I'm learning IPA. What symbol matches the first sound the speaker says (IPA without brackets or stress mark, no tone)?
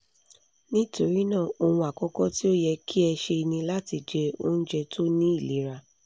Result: n